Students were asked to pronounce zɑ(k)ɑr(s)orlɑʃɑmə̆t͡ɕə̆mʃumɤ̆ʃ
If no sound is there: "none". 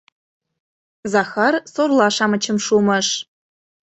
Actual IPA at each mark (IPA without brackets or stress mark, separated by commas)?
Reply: x, s